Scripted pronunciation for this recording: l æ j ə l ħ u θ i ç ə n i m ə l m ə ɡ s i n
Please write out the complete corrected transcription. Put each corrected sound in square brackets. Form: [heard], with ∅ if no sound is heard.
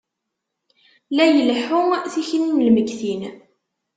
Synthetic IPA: l æ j ə l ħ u θ i ç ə n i m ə l m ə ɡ [θ] i n

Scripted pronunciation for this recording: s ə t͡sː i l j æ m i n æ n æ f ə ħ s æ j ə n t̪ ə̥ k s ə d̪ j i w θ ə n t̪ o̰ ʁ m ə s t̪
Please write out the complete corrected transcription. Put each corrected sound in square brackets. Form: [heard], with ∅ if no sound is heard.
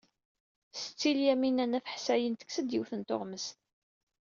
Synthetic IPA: s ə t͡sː i l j æ m i n æ n æ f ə ħ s æ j ə n t̪ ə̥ k s ə d̪ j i w θ ə n t̪ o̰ ʁ m ə s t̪

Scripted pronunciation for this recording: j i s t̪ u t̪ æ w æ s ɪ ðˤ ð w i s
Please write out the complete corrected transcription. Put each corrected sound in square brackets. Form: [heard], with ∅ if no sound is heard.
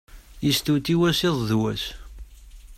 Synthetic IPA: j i s t̪ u t̪ [i] w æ s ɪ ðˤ ð w [æ] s

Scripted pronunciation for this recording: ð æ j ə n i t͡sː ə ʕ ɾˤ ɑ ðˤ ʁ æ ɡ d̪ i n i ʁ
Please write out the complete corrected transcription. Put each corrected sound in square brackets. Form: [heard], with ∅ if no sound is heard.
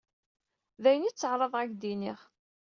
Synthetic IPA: ð æ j ə n i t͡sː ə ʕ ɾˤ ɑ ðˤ ʁ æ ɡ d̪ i n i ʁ

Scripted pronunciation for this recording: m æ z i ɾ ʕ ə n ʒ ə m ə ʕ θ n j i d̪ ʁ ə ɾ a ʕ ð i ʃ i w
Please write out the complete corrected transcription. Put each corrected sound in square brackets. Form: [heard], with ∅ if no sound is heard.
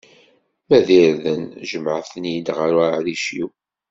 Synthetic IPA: m æ [ð] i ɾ [ð] ə n ʒ ə m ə ʕ θ n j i d̪ ʁ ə ɾ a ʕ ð i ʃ i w

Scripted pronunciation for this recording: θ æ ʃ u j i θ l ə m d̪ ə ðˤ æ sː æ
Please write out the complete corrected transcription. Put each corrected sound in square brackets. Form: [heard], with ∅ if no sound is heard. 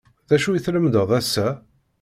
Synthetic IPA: [ð] æ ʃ u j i θ l ə m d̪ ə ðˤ æ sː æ

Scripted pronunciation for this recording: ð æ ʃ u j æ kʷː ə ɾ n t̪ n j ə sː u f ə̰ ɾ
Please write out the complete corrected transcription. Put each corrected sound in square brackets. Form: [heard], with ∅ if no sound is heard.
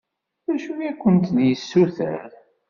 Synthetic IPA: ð æ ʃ u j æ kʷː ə [∅] n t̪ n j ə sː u [θ] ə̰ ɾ

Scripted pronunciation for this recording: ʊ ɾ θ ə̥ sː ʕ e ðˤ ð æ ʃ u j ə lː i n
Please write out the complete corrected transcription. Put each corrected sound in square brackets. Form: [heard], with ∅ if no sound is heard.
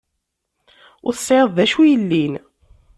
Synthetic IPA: ʊ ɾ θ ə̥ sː ʕ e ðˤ ð æ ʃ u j ə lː i n

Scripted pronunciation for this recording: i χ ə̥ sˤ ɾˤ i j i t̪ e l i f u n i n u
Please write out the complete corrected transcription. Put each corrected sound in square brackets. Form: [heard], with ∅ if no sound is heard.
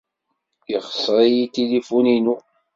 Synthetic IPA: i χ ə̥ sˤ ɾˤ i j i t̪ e l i f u n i n u

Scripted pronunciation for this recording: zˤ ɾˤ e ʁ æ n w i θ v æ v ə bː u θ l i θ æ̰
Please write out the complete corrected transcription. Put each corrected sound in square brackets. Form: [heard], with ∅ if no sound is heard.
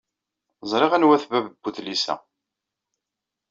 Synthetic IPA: zˤ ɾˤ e ʁ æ n w [æ] θ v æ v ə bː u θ l i [s] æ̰

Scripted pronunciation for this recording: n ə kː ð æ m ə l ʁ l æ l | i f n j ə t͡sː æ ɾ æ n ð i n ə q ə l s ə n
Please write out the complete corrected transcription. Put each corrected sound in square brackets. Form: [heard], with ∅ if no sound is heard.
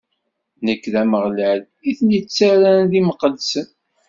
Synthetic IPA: n ə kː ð æ m ə [∅] ʁ l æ l | i [θ] n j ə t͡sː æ ɾ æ n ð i [m] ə q ə l s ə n

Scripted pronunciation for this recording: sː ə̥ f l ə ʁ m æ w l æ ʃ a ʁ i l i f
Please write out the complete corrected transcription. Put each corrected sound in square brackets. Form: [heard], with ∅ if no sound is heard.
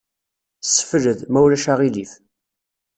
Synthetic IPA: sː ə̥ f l ə [ð] m æ w l æ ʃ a ʁ i l i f

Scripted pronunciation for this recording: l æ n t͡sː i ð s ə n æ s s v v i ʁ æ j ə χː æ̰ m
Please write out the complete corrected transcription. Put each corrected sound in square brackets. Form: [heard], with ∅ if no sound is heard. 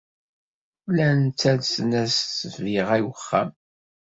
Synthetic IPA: l æ n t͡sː [æ] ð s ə n æ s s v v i ʁ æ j ə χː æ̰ m

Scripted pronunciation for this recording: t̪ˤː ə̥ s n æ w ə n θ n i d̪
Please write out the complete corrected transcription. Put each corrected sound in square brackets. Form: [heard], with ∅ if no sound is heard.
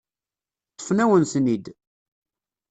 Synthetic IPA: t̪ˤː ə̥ [f] n æ w ə n [s] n i d̪

